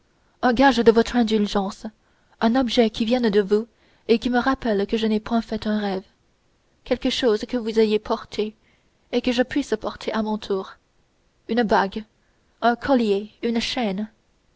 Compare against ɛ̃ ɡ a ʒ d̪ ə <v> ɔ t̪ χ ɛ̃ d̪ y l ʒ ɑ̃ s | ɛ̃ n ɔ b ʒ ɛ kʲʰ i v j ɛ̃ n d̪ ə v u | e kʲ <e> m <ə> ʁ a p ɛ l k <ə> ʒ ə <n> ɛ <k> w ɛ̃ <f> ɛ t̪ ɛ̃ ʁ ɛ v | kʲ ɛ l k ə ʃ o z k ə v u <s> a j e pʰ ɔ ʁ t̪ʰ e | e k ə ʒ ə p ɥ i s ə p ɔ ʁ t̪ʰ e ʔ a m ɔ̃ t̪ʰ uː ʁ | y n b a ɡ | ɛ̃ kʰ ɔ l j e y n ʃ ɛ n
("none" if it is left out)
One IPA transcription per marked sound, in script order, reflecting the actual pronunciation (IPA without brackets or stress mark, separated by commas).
v, i, ə, ə, n, p, f, z